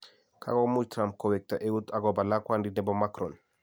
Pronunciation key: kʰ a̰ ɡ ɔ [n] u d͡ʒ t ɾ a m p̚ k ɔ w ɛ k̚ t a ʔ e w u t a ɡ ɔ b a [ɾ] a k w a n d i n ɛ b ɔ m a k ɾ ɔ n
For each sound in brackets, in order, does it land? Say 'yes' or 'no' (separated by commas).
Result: no, no